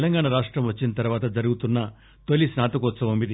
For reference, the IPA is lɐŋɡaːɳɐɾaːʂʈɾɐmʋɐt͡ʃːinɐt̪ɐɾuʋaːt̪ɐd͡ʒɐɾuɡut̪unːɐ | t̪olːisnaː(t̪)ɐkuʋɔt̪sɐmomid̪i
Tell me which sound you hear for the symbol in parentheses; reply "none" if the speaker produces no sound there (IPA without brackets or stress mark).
t̪